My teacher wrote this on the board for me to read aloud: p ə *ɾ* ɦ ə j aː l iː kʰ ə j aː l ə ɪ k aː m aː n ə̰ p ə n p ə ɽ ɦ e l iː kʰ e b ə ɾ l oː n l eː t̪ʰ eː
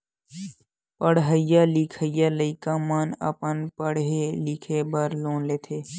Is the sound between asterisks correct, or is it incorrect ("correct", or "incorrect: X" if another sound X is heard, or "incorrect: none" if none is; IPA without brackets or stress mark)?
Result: incorrect: ɽ